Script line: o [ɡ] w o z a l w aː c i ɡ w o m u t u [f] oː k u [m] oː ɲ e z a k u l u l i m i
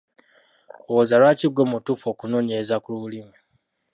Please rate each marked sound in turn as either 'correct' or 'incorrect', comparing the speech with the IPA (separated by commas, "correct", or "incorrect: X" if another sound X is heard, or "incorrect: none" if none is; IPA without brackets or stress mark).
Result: incorrect: none, correct, incorrect: n